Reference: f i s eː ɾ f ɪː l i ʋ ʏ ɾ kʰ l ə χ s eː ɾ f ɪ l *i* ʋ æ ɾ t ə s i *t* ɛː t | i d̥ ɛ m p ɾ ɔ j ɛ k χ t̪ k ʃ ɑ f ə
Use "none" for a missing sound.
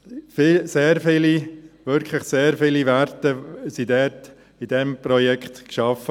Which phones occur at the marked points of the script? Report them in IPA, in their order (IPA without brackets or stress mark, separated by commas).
i, d